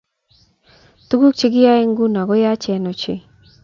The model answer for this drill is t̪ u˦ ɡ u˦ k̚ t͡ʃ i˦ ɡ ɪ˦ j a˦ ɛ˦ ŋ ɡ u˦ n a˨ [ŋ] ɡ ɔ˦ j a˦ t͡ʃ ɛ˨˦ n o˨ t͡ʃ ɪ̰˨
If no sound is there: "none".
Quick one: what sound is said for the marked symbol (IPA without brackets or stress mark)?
none